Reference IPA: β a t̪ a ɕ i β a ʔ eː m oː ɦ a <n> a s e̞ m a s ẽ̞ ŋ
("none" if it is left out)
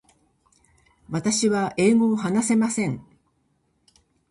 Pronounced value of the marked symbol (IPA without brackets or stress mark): n